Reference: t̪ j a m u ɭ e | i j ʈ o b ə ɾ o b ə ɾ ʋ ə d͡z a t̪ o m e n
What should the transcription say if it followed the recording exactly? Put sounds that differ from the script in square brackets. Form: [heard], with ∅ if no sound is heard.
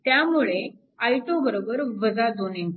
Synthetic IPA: t̪ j a m u ɭ e | [a] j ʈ o b ə ɾ o b ə ɾ ʋ ə d͡z a [d̪] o [n] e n